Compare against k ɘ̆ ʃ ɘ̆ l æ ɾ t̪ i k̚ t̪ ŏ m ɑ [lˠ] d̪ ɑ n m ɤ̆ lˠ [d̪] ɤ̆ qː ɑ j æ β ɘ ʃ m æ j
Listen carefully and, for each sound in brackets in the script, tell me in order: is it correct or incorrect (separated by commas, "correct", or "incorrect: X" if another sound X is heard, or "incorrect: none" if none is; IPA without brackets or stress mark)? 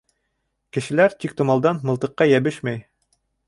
correct, incorrect: t̪